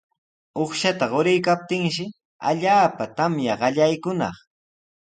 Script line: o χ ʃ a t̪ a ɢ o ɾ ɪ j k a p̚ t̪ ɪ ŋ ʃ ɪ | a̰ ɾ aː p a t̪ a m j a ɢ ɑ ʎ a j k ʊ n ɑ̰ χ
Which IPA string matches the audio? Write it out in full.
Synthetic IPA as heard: o χ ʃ a t̪ a ɢ o ɾ ɪ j k a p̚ t̪ ɪ ŋ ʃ ɪ | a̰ ʎ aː p a t̪ a m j a ɢ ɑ ʎ a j k ʊ n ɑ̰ χ